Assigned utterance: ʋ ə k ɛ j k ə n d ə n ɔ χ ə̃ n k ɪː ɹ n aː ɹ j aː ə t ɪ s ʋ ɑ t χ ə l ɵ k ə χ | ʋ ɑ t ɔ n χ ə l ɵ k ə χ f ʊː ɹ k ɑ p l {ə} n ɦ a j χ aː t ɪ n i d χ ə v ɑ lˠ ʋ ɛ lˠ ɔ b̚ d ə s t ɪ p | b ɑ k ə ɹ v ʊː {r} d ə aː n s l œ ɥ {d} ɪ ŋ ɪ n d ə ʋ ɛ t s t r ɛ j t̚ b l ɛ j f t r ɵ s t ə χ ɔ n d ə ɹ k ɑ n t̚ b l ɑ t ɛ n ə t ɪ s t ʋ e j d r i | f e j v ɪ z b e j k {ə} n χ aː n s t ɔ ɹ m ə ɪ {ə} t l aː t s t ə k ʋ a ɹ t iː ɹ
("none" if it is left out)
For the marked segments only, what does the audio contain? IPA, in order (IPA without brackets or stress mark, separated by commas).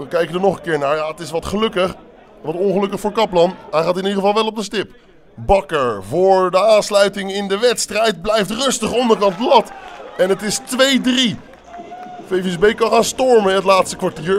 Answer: ɑ, ɹ, t, ɑ, ə